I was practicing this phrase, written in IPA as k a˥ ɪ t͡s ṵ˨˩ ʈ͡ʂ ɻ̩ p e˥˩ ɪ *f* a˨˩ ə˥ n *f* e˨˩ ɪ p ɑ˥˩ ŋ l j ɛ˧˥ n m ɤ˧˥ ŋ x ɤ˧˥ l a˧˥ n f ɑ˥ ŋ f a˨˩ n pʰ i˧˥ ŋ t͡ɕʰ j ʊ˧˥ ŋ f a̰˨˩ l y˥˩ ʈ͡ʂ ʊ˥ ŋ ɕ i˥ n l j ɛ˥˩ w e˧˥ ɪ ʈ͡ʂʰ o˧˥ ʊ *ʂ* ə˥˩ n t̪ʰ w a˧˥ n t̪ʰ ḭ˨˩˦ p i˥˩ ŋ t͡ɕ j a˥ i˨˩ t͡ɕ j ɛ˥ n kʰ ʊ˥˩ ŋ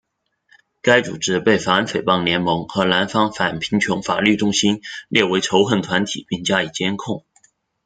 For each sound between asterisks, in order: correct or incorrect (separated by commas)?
correct, correct, incorrect